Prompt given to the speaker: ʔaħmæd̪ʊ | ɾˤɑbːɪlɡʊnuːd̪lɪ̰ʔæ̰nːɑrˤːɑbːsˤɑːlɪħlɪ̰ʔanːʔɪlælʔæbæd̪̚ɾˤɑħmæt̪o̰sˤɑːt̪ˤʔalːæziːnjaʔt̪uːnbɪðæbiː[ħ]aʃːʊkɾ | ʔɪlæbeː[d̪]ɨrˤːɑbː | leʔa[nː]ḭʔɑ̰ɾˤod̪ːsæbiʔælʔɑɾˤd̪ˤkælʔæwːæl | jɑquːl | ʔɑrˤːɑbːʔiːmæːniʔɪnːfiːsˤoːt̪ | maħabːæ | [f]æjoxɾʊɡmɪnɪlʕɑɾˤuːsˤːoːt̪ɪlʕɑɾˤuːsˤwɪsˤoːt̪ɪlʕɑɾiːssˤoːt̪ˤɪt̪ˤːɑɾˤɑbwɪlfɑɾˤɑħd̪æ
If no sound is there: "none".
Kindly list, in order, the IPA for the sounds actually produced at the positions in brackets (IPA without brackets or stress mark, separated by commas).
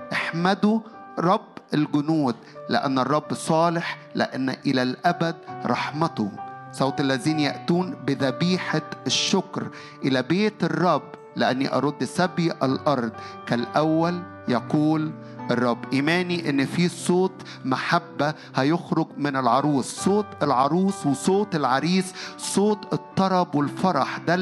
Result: ħ, t̪, nː, h